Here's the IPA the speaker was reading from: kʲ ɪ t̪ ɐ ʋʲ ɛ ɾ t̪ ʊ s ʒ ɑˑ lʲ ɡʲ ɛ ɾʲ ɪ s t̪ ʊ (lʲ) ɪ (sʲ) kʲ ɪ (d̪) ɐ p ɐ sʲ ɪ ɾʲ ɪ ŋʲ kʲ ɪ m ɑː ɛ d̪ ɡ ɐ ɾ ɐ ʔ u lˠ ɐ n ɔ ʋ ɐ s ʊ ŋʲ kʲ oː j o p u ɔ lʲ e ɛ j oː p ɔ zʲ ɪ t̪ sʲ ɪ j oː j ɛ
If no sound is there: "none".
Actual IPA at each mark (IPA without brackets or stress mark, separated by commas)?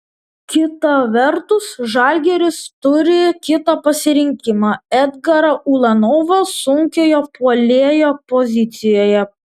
ɾʲ, none, t̪